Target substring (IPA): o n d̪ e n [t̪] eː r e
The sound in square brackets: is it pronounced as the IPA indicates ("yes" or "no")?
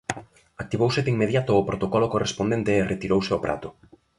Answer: yes